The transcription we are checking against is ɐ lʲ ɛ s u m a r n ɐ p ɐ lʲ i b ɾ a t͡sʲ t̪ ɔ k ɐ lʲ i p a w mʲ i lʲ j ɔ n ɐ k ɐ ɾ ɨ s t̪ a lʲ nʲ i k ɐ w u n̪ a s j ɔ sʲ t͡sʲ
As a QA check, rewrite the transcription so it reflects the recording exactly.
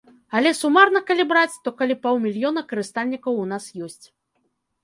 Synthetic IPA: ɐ lʲ ɛ s u m a r n ɐ k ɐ lʲ i b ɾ a t͡sʲ t̪ ɔ k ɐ lʲ i p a w mʲ i lʲ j ɔ n ɐ k ɐ ɾ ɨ s t̪ a lʲ nʲ i k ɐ w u n̪ a s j ɔ sʲ t͡sʲ